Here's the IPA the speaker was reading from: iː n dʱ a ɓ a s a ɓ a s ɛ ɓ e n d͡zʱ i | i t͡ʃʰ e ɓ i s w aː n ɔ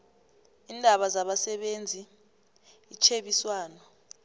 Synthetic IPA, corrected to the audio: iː n dʱ a ɓ a z a ɓ a s ɛ ɓ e n d͡zʱ i | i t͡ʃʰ e ɓ i s w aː n ɔ